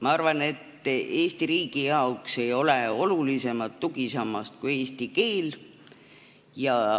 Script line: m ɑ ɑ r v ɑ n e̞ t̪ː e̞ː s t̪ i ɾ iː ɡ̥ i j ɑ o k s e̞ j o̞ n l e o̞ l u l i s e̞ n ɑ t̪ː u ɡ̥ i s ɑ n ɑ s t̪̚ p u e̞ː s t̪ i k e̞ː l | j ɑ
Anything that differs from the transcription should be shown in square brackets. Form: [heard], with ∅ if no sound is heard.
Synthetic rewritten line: m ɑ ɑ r v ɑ n e̞ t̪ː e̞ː s t̪ i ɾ iː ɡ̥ i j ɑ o k s e̞ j o̞ [∅] l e o̞ l u l i s e̞ [m] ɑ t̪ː u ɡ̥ i s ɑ [m] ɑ s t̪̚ [k] u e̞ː s t̪ i k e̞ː l | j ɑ